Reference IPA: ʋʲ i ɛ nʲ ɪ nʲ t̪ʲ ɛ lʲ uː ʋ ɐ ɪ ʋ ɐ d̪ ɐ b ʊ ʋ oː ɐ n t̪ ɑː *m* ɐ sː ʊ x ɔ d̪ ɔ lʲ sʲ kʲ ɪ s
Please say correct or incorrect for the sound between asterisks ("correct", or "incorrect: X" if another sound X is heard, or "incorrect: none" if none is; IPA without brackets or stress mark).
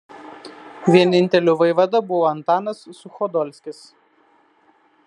incorrect: n